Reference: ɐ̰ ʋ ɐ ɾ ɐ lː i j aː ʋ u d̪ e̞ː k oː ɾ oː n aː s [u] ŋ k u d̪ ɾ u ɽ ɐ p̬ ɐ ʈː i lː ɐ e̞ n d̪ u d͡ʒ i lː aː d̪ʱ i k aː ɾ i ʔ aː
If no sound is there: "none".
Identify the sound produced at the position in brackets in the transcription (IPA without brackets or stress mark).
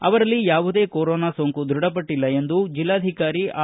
o